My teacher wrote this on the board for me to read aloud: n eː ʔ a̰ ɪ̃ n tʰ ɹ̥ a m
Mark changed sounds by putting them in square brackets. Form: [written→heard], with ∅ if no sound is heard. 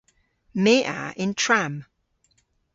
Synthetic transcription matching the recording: [n→m] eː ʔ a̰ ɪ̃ n tʰ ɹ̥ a m